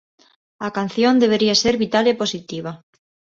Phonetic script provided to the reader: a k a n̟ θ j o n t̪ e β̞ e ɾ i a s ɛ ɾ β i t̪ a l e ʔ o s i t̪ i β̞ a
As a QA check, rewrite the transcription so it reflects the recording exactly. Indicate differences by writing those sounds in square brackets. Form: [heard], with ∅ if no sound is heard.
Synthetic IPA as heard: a k a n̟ θ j o n [d̪] e β̞ e ɾ i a s [e] ɾ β i t̪ a l e [p] o s i t̪ i β̞ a